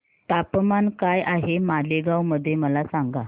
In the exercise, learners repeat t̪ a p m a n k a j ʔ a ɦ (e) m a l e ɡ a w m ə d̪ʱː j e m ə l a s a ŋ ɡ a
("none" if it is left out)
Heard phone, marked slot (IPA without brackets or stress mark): e